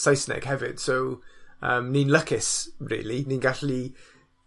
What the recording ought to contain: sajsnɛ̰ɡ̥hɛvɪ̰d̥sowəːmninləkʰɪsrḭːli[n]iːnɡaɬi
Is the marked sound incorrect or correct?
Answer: correct